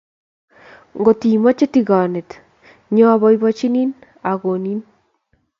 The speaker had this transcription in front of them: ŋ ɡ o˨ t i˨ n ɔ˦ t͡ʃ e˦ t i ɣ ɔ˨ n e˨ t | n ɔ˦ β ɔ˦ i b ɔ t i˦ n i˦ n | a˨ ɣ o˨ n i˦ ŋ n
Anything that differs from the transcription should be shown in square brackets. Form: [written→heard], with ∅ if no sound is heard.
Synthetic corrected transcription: ŋ ɡ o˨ t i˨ [n→m] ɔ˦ t͡ʃ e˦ t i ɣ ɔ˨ n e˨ t | [n→ɲ] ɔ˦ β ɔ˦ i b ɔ [t→t͡ʃ] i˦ n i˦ n | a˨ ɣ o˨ n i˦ [ŋ→∅] n